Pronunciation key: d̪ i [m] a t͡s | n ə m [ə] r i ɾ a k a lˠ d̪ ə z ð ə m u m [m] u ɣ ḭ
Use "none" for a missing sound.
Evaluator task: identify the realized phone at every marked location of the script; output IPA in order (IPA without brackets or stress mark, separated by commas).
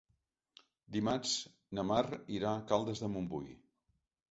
m, a, b